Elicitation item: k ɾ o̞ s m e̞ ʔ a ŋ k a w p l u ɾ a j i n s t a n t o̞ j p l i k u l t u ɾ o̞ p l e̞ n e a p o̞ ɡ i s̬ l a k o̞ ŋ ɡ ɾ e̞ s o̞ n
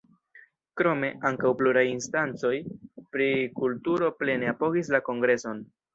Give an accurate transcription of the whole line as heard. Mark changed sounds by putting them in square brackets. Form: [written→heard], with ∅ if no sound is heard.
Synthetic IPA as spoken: k ɾ o̞ [s→∅] m e̞ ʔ a ŋ k a w p l u ɾ a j i n s t a n [t→t͡s] o̞ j p [l→ɾ] i k u l t u ɾ o̞ p l e̞ n e a p o̞ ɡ i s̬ l a k o̞ ŋ ɡ ɾ e̞ s o̞ n